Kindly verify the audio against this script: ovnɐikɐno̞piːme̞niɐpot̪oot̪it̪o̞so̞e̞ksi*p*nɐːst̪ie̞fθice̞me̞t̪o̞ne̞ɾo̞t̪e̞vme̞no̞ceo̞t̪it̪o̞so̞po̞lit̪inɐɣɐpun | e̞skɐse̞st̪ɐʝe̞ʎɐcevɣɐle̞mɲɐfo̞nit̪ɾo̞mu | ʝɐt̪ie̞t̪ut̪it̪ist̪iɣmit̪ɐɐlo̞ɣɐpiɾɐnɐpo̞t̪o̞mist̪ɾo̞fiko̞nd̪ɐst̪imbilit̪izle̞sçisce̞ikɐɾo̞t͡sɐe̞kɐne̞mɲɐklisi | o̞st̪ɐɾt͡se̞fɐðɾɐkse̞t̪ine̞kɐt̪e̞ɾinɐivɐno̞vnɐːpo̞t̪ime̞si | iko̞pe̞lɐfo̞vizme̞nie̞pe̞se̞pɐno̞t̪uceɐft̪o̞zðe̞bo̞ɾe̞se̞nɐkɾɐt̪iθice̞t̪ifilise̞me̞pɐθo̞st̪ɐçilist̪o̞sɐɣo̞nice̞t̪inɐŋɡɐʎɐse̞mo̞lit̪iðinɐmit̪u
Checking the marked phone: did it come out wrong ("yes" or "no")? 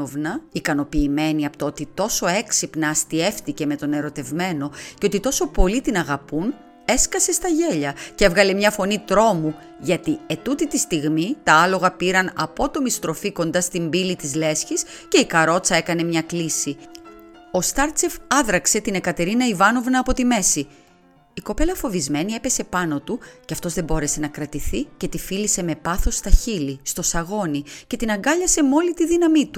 no